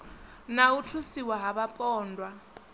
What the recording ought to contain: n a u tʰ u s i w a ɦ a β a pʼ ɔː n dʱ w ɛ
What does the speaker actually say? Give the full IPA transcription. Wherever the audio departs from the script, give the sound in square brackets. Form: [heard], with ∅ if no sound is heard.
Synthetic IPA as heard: n a u tʰ u s i w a ɦ a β a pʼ ɔː n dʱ w [a]